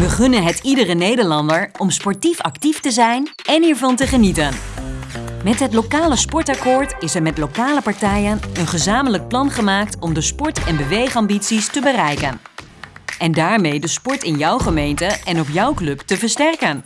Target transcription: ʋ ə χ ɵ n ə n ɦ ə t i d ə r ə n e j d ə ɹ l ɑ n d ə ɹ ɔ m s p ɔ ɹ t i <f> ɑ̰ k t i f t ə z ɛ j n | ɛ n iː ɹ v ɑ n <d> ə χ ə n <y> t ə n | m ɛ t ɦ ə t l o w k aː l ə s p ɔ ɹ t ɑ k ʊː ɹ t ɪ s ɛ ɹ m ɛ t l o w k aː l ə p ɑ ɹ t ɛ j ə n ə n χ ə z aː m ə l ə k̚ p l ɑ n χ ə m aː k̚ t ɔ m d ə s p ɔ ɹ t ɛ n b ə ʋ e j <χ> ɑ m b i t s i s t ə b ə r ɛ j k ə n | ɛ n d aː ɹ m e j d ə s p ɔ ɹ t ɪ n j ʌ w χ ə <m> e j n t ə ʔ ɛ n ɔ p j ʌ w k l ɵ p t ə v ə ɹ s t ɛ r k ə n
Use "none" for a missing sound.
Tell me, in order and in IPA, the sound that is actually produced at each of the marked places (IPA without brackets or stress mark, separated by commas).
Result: f, t, i, χ, m